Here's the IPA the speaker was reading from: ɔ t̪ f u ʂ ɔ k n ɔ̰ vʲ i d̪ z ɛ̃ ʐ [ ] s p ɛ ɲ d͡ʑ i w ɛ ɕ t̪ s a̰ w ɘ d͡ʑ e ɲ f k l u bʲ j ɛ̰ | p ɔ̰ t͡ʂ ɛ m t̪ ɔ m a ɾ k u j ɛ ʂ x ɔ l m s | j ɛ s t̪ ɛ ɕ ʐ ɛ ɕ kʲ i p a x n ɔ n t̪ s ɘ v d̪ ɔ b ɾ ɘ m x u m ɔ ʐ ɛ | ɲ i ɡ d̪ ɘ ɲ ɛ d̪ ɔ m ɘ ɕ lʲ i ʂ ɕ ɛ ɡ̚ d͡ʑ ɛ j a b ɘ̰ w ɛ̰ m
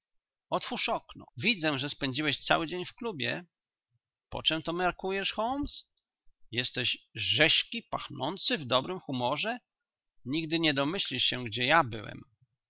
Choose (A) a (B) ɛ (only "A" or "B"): B